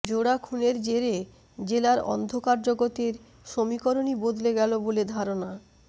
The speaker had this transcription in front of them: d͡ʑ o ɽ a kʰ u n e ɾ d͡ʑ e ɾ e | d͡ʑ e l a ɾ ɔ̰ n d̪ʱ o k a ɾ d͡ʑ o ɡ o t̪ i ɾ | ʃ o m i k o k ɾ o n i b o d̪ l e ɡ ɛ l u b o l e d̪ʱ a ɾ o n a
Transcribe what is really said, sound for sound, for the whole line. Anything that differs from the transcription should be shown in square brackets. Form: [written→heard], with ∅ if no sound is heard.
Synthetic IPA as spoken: d͡ʑ o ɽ a kʰ u n e ɾ d͡ʑ e ɾ e | d͡ʑ e l a ɾ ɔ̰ n d̪ʱ o k a ɾ d͡ʑ o ɡ o t̪ i ɾ | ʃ o m i k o [k→∅] ɾ o n i b o d̪ l e ɡ ɛ l [u→o] b o l e d̪ʱ a ɾ o n a